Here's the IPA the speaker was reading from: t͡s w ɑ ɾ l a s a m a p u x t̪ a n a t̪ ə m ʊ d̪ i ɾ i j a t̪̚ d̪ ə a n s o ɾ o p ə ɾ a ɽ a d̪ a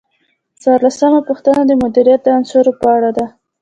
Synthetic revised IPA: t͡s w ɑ ɾ l a s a m a p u x t̪ a n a d̪ ə m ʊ d̪ i ɾ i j a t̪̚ d̪ ə a n s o ɾ o p ə a ɽ a d̪ a